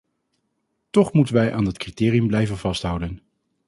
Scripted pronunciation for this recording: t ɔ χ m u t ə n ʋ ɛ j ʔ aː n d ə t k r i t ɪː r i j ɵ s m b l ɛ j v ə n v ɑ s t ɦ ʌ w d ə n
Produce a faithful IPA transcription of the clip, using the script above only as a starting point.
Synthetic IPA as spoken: t ɔ χ m u t ə n ʋ ɛ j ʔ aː n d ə t k r i t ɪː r i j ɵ m b l ɛ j v ə n v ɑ s t ɦ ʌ w d ə n